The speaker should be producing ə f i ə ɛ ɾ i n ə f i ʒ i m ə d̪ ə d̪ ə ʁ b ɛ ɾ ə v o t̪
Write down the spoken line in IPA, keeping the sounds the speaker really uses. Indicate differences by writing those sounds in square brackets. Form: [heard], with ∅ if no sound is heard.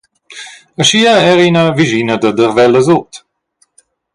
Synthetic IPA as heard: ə [ʃ] i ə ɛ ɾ i n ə [v] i ʒ i [n] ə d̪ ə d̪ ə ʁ [v] ɛ [l] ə [z] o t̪

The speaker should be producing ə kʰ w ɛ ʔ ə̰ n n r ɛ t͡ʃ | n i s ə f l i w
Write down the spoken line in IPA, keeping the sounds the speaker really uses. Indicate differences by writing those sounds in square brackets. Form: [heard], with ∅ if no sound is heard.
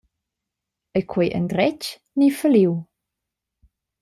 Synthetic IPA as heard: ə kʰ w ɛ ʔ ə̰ n [d] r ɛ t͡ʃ | n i [f] ə [∅] l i w

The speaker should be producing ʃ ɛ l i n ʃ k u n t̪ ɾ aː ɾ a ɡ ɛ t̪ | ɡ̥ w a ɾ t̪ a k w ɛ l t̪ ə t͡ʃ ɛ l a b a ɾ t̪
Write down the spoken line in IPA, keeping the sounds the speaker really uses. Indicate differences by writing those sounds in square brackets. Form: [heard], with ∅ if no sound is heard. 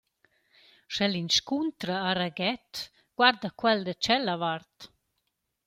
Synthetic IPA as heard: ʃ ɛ l i n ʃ k u n t̪ ɾ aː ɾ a ɡ ɛ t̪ | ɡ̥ w a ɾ [d̪] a k w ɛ l [d̪] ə t͡ʃ ɛ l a [v] a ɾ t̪

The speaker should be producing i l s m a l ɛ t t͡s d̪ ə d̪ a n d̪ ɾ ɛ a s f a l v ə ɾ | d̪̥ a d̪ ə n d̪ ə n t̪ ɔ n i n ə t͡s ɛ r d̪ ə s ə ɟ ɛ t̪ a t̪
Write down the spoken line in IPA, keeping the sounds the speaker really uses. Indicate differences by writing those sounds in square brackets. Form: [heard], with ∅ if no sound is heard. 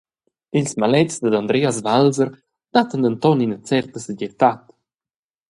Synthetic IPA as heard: i l s m a l ɛ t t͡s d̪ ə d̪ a n d̪ ɾ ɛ a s [v] a l [z] ə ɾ | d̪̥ a [t̪] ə n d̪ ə n t̪ ɔ n i n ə t͡s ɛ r [t̪] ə s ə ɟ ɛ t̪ a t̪

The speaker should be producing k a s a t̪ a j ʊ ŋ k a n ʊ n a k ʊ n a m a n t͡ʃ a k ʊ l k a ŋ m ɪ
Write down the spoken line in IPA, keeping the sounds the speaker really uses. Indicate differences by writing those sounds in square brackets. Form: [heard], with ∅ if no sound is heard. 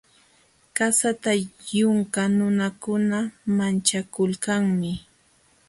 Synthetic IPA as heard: k a s a t̪ a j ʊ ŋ k a n ʊ n a k ʊ n a m a n t͡ʃ a k ʊ l k a ŋ m ɪ

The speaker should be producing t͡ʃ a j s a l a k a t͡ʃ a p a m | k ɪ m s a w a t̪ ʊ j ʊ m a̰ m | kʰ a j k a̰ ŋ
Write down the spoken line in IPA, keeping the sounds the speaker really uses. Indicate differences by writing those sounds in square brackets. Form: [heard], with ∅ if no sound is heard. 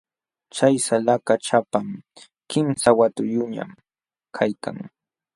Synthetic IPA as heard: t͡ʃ a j s a l a k a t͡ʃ a p a m | k ɪ m s a w a t̪ ʊ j ʊ [ɲ] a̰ m | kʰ a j k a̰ ŋ

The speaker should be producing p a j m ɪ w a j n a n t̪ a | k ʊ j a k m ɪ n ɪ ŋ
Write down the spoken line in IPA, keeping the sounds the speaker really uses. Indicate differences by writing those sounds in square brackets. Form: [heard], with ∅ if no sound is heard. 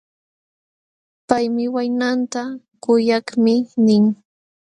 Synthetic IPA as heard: p a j m ɪ w a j n a n t̪ a | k ʊ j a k m ɪ n ɪ ŋ

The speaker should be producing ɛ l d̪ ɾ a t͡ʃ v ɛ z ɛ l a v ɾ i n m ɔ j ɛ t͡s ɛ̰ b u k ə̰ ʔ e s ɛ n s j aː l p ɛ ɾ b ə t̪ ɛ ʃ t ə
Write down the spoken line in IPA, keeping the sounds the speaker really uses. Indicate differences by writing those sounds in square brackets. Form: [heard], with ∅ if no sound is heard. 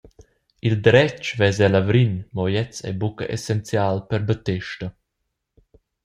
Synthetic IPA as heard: [i] l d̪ ɾ [ɛ] t͡ʃ v ɛ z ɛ l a v ɾ i n m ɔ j ɛ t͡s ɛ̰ b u k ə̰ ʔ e s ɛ n [t͡s] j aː l p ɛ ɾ b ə t̪ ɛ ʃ t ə

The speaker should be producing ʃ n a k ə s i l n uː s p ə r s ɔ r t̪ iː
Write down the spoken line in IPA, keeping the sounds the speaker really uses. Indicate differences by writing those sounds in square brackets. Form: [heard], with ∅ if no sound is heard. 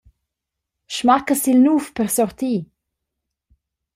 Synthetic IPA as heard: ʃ [m] a k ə s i l n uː [f] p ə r s ɔ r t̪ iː

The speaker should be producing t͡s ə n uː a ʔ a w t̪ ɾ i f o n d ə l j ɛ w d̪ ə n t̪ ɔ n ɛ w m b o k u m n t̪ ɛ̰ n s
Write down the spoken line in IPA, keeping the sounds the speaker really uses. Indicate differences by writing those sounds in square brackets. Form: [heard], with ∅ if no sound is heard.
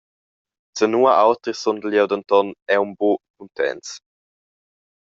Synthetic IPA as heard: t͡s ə n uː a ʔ a w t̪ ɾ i [s] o n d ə l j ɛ w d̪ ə n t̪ ɔ n ɛ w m b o k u [∅] n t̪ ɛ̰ n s

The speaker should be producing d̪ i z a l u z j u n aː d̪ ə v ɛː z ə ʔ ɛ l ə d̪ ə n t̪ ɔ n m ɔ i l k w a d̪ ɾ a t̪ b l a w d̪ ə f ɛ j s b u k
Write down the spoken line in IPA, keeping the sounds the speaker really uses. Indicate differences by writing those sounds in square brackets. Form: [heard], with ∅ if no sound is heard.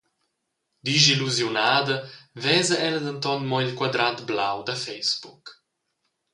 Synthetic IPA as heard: d̪ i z [i] l u z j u n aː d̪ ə v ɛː z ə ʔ ɛ l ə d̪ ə n t̪ ɔ n m ɔ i l k w a d̪ ɾ a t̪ b l a w d̪ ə f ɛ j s b u k

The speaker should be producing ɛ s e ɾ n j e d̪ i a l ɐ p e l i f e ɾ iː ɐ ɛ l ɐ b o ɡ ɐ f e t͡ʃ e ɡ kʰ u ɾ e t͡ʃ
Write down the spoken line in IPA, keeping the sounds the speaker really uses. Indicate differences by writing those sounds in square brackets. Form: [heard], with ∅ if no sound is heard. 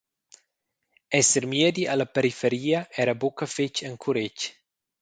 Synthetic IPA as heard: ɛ s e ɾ [m] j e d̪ i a l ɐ p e [ɾ] i f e ɾ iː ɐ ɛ [ɾ] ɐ b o [k] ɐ f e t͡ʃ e [ŋ] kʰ u ɾ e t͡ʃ

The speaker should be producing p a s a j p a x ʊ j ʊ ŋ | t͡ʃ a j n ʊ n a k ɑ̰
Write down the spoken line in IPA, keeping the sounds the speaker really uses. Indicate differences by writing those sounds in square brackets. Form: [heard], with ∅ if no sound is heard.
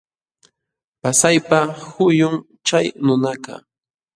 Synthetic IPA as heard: p a s a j p a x ʊ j ʊ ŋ | t͡ʃ a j n ʊ n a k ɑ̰

